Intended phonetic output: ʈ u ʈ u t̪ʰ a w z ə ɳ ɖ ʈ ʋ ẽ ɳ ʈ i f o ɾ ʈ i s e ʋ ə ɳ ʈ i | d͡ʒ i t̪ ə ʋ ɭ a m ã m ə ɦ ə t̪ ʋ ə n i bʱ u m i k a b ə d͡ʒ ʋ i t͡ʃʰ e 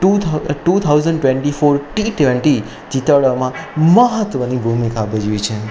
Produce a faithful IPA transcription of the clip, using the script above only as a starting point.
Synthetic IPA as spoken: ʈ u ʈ u t̪ʰ a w z ə ɳ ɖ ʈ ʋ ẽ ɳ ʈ i f o ɾ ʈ i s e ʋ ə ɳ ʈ i | d͡ʒ i t̪ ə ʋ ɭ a m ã m ə ɦ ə t̪ ʋ ə n i bʱ u m i k a b ə d͡ʒ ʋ i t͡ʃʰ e